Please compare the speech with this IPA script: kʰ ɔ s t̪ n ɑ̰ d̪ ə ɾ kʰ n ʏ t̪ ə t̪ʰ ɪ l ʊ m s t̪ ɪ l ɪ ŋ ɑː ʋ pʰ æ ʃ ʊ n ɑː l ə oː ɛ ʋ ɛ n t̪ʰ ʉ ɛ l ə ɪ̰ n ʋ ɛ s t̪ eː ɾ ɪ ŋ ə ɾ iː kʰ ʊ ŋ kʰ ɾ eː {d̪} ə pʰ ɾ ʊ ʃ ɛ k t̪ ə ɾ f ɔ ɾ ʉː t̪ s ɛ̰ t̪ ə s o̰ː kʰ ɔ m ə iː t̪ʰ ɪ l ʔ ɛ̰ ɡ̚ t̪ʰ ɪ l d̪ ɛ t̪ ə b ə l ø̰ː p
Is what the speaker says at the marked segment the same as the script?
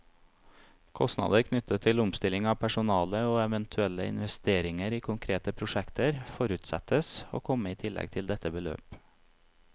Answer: no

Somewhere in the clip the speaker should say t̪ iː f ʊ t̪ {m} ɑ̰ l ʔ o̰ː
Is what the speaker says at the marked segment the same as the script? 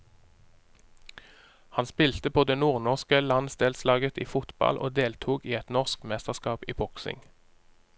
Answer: no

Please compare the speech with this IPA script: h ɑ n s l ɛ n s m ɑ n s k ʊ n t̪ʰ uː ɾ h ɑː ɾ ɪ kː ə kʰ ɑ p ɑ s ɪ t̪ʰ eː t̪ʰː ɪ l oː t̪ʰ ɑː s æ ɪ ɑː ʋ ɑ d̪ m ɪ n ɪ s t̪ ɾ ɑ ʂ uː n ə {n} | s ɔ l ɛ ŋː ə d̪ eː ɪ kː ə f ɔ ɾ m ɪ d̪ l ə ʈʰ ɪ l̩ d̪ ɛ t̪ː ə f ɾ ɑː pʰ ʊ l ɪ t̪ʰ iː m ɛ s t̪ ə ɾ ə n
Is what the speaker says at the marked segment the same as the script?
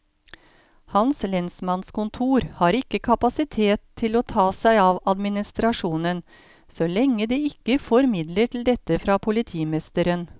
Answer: yes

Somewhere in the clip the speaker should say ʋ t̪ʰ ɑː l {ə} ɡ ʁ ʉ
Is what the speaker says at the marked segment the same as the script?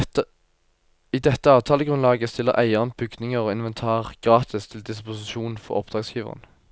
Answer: yes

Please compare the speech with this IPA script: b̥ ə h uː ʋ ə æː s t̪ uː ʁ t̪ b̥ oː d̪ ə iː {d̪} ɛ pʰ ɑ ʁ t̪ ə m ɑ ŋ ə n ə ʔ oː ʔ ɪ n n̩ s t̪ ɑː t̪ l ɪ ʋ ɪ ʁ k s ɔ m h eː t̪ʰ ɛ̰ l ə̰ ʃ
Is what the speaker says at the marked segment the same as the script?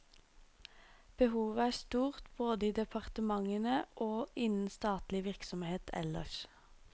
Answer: yes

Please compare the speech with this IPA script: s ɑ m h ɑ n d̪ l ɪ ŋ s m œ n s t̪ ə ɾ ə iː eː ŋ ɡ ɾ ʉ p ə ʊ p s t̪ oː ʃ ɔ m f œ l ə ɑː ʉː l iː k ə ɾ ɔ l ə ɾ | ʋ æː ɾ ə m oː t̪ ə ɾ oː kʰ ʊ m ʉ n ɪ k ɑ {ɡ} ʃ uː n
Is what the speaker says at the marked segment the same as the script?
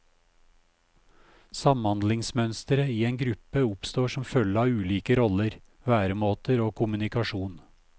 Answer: no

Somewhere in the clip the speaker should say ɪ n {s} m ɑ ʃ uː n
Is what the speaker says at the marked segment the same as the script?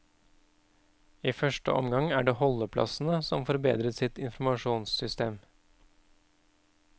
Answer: no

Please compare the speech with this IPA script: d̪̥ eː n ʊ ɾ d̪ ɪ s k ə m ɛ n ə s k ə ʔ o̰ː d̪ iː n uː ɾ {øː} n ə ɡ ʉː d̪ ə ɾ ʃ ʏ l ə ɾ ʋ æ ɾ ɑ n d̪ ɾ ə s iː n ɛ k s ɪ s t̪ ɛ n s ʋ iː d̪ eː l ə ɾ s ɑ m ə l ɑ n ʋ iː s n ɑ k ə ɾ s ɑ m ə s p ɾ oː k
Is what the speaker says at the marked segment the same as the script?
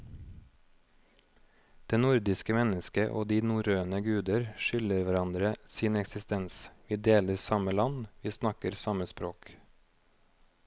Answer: yes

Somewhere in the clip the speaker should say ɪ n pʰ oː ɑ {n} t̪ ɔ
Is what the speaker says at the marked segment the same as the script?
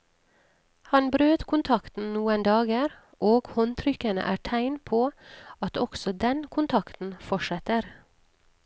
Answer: no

